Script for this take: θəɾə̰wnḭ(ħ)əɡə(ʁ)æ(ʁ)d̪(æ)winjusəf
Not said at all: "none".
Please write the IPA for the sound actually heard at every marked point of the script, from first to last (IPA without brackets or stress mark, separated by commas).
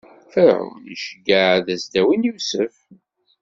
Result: ʃ, ð, z, æ